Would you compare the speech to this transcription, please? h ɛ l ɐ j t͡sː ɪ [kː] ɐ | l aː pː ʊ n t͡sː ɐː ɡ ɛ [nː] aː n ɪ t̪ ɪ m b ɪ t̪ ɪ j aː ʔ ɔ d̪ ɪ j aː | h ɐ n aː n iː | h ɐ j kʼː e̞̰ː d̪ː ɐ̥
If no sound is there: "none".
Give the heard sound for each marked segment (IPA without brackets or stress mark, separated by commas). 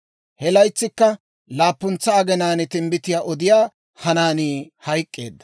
kː, n